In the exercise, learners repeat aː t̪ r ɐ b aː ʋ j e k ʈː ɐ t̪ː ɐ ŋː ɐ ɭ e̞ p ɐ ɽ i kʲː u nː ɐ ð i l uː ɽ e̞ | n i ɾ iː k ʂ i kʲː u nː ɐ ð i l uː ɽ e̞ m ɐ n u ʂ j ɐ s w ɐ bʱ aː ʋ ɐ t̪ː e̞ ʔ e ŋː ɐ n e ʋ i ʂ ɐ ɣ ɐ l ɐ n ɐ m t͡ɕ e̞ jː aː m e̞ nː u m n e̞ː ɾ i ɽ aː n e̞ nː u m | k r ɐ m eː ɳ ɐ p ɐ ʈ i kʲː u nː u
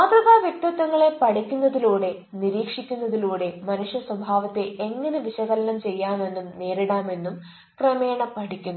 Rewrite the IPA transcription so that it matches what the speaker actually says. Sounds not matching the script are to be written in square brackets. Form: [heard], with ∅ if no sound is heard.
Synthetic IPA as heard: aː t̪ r ɐ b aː ʋ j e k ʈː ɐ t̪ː ɐ ŋː ɐ ɭ e̞ p ɐ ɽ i kʲː u nː ɐ ð i l uː ɽ e̞ | n i ɾ iː k ʂ i kʲː u nː ɐ ð i l uː ɽ e̞ m ɐ n u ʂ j ɐ s w ɐ bʱ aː ʋ ɐ t̪ː e̞ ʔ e ŋː ɐ n e ʋ i [ɕ] ɐ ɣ ɐ l ɐ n ɐ m t͡ɕ e̞ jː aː m e̞ nː u m n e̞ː ɾ i ɽ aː [m] e̞ nː u m | k r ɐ m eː ɳ ɐ p ɐ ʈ i kʲː u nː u

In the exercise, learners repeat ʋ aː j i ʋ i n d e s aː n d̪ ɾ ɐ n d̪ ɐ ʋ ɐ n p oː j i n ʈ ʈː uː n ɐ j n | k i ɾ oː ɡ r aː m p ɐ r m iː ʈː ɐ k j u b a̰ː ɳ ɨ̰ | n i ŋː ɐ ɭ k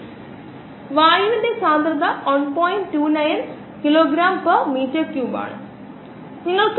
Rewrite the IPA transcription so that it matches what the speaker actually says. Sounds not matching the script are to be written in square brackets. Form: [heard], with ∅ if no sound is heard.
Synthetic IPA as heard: ʋ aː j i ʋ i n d e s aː n d̪ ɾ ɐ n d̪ ɐ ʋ ɐ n p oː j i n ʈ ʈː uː n ɐ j n | k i [l] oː ɡ [ɾ] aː m p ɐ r m iː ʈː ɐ k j u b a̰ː ɳ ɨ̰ | n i ŋː ɐ ɭ k

